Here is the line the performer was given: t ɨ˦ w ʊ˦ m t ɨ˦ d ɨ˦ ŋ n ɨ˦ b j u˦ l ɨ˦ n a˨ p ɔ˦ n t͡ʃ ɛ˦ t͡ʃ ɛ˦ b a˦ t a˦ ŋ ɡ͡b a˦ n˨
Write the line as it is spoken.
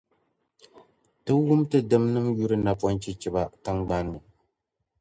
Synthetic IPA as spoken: t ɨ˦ w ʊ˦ m t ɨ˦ d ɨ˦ m n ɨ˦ m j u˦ ɾ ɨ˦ n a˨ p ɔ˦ n t͡ʃ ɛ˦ t͡ʃ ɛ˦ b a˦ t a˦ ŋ ɡ͡b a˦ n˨